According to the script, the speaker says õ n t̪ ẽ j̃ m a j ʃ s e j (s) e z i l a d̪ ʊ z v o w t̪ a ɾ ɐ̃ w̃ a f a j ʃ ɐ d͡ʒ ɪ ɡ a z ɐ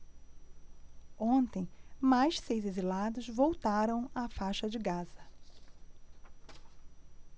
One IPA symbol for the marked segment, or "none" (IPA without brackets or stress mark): z